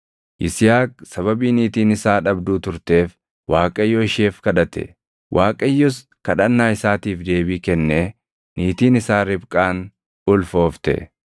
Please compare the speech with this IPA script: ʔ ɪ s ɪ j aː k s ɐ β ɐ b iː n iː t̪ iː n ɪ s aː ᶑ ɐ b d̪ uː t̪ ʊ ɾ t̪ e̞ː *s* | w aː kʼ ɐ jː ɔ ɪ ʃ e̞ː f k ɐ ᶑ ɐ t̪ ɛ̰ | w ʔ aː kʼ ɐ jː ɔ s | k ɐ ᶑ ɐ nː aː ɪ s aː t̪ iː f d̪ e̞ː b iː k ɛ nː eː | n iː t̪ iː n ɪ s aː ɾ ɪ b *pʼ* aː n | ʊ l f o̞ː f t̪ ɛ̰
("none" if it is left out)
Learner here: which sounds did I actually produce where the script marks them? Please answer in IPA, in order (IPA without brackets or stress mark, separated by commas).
f, kʼ